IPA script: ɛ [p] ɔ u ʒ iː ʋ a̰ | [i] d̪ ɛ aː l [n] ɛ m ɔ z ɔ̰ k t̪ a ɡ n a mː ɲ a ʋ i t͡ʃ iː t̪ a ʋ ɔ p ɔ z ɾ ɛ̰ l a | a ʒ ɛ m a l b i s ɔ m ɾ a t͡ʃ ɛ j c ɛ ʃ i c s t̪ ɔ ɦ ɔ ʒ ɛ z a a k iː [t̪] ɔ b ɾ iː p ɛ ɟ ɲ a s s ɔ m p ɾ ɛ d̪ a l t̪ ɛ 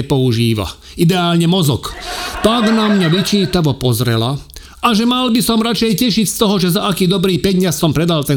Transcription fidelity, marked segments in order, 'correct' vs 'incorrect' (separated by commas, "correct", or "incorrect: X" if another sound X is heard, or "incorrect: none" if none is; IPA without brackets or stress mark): correct, correct, incorrect: ɲ, incorrect: d̪